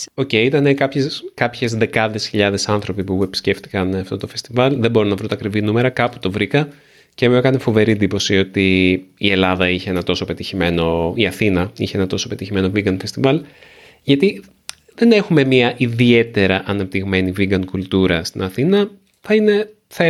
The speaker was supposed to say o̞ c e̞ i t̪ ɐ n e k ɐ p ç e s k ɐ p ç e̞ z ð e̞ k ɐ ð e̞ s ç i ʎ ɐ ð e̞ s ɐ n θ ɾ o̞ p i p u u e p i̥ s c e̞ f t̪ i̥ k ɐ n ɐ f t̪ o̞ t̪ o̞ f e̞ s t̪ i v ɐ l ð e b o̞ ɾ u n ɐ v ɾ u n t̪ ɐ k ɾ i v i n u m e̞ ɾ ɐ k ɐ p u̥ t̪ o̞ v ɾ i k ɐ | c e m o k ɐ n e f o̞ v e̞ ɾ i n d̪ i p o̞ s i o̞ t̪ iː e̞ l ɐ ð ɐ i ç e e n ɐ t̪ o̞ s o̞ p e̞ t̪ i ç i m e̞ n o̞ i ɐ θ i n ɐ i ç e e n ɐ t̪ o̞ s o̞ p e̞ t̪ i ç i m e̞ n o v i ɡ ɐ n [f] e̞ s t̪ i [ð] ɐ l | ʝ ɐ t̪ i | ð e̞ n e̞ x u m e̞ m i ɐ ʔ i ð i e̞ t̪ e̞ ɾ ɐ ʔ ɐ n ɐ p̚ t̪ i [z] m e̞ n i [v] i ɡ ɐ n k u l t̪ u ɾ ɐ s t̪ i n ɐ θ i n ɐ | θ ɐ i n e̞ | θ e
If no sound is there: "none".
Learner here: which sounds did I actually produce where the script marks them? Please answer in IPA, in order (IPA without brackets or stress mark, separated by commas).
f, v, ɣ, v